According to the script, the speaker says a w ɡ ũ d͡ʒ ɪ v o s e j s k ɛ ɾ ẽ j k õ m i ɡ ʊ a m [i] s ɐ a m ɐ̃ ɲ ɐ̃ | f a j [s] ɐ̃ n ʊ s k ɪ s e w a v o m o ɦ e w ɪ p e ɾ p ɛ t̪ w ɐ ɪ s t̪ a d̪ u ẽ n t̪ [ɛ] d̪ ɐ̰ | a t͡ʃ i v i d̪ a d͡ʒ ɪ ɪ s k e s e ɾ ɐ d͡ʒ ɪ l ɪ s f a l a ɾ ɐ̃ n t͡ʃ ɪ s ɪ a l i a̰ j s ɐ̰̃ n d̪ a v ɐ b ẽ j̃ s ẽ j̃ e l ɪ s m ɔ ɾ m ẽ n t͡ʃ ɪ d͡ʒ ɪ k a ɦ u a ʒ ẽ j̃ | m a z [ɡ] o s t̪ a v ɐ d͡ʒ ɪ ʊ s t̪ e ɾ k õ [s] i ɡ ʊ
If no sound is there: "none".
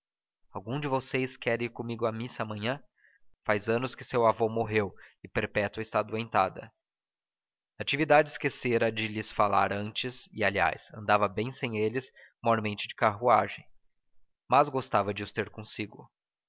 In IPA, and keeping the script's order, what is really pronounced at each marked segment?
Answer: i, z, a, ɡ, s

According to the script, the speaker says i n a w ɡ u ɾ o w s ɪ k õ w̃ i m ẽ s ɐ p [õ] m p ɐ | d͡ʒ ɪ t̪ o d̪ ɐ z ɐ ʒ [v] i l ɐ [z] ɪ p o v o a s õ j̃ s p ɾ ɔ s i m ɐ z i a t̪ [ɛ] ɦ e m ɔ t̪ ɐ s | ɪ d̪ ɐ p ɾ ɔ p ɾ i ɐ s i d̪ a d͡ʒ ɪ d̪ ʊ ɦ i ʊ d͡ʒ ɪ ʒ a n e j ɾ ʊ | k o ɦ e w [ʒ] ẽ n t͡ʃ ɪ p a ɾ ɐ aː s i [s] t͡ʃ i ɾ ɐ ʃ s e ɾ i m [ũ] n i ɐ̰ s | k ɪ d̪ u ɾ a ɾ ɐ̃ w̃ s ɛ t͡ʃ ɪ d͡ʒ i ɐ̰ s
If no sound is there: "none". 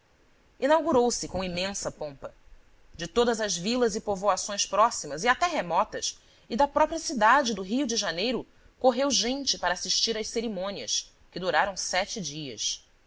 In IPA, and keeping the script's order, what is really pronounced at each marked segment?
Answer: õ, v, z, ɛ, ʒ, ʃ, õ

